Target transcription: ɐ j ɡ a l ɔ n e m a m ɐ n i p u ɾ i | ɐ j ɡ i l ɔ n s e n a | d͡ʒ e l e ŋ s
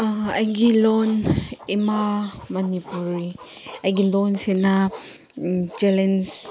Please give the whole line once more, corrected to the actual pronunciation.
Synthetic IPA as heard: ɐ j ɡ i l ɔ n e m a m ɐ n i p u ɾ i | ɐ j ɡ i l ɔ n s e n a | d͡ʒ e l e n s